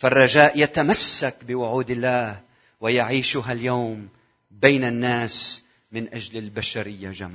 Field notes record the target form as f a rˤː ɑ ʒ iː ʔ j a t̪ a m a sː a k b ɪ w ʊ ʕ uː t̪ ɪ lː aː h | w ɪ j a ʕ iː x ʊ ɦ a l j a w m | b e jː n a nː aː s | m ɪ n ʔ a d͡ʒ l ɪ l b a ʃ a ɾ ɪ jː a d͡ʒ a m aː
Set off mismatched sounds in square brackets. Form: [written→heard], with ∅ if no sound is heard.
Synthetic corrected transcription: f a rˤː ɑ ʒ [iː→aː] ʔ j a t̪ a m a sː a k b ɪ w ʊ ʕ uː [t̪→d̪] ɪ lː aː h | w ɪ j a ʕ iː [x→ʃ] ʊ ɦ a l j a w m | b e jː n a nː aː s | m ɪ n ʔ a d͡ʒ l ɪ l b a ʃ a ɾ ɪ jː a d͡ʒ a m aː